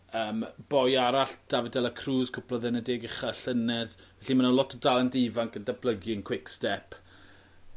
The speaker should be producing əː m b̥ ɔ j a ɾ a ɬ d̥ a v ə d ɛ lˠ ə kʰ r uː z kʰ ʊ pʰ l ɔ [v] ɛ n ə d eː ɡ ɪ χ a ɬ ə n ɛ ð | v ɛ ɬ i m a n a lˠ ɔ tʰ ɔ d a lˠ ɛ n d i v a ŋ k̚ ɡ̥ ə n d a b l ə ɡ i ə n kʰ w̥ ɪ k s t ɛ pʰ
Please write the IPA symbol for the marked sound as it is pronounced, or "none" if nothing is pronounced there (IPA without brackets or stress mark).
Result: ð